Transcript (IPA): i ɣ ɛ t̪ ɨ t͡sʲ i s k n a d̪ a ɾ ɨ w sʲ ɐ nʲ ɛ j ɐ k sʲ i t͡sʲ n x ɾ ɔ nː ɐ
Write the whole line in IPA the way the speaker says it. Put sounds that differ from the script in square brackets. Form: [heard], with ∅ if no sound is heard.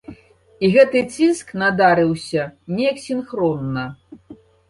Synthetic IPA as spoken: i ɣ ɛ t̪ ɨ t͡sʲ i s k n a d̪ a ɾ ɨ w sʲ ɐ nʲ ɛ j ɐ k sʲ i [∅] n x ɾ ɔ nː ɐ